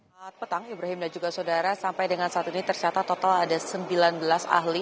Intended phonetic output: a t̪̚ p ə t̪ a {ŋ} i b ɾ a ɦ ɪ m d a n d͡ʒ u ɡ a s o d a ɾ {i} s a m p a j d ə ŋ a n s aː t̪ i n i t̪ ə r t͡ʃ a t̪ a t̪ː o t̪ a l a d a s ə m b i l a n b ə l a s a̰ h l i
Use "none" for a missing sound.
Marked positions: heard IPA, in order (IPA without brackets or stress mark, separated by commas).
ŋ, a